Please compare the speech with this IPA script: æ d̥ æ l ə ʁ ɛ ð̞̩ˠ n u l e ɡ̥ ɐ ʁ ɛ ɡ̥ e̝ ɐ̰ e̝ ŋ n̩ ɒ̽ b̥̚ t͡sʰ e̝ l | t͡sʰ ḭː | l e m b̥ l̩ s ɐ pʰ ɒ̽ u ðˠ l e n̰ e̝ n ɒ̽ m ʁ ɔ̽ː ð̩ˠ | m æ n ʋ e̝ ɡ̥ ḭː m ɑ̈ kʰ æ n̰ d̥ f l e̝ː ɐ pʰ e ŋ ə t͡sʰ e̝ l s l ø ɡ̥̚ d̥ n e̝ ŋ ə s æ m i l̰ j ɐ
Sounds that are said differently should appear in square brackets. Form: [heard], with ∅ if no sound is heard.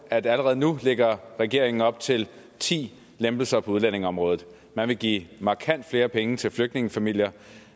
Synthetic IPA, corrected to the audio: æ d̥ æ l ə ʁ ɛ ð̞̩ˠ n u l e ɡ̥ ɐ ʁ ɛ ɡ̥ e̝ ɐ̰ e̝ ŋ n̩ ɒ̽ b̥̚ t͡sʰ e̝ l | t͡sʰ ḭː | l e m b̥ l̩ s ɐ pʰ ɒ̽ u ðˠ l [æ] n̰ e̝ [ŋ] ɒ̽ m ʁ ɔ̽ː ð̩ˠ | m æ n ʋ e̝ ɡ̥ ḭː m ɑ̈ kʰ æ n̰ d̥ f l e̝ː ɐ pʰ e ŋ ə t͡sʰ e̝ l [f] l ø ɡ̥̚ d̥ n e̝ ŋ ə [f] æ m i l̰ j ɐ